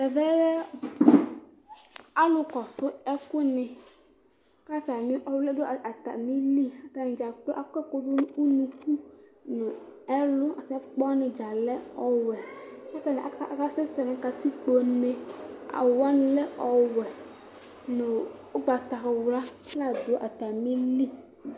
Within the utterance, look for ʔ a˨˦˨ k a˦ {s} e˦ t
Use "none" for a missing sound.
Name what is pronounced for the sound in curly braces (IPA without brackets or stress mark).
s